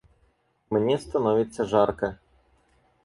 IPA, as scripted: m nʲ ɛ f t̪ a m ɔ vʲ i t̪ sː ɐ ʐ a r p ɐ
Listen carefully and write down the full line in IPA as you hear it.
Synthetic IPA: m nʲ ɛ s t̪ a n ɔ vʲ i t̪ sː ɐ ʐ a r k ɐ